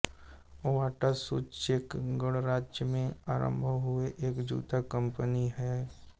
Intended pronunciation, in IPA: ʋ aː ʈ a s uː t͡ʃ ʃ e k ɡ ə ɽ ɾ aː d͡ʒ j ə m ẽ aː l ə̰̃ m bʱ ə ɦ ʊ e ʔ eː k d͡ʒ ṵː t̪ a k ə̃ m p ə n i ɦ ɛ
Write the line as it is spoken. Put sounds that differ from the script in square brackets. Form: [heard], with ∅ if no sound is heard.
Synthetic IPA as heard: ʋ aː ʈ a s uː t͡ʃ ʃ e k ɡ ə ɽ ɾ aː d͡ʒ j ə m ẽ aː [ɾ] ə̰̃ m bʱ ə ɦ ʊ e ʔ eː k d͡ʒ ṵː t̪ a k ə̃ m p ə n i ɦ ɛ